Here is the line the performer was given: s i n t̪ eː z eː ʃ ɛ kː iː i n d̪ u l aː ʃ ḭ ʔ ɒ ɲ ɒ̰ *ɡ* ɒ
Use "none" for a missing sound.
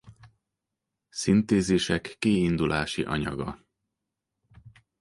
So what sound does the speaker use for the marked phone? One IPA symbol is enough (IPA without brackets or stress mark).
ɡ